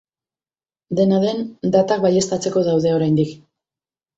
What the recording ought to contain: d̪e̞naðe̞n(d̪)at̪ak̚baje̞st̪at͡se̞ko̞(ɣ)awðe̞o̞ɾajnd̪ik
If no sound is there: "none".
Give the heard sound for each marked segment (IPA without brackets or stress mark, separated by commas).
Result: d̪, ð